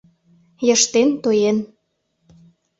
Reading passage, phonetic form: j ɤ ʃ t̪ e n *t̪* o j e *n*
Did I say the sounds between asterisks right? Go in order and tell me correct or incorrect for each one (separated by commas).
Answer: correct, correct